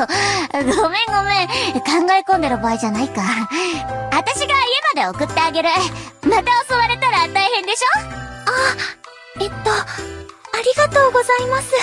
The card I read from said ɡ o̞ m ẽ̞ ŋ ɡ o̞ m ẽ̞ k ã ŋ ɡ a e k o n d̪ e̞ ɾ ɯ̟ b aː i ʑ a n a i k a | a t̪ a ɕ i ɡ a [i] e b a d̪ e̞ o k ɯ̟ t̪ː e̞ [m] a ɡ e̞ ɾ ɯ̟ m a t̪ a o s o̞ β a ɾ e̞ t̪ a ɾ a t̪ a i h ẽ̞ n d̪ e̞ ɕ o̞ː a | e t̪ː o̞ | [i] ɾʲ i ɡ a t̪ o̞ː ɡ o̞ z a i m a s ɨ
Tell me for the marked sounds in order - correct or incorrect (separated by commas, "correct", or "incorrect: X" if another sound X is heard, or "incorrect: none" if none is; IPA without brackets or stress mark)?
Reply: correct, incorrect: none, incorrect: a